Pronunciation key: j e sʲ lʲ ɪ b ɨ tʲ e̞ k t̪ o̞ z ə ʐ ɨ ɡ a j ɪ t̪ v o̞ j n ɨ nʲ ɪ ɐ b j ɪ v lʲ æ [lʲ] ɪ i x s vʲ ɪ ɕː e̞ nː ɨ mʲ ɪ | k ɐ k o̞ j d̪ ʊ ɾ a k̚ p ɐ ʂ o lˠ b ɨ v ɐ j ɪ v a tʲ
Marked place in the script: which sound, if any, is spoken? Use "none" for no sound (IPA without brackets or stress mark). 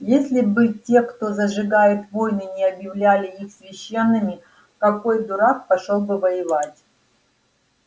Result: lʲ